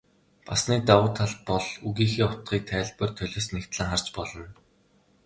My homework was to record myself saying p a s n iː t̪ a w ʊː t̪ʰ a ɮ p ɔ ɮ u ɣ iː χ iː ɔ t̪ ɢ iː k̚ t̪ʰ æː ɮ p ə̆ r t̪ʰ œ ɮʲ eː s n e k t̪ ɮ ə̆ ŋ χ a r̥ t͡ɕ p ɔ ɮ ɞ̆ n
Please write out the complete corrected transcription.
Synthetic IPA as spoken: p a s n iː t̪ a w ʊː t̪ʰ a ɮ p ɔ ɮ u ɣ iː x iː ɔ t̪ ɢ iː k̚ t̪ʰ æː ɮ p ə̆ r t̪ʰ œ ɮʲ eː s n e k t̪ ɮ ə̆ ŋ χ a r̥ t͡ɕ p ɔ ɮ ɞ̆ n